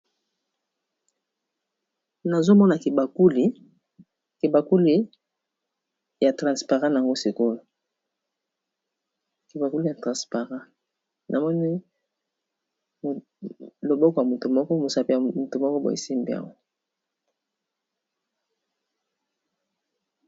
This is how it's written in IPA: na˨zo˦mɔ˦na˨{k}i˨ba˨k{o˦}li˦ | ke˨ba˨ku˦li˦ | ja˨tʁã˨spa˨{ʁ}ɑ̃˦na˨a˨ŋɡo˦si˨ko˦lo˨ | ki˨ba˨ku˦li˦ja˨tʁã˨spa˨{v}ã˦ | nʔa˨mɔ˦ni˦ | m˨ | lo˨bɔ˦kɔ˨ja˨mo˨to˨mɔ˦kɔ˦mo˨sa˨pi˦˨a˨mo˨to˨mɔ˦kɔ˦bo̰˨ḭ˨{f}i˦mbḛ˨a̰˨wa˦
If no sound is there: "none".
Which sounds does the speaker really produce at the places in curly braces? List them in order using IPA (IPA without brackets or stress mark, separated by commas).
k, u˦, ʁ, ʁ, s